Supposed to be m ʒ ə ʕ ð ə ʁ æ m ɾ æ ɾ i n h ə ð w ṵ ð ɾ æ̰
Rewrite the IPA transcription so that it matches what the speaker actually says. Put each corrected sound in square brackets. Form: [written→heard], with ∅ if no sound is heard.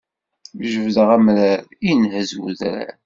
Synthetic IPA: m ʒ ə [ʕ→v] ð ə ʁ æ m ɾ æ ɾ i n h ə [ð→z] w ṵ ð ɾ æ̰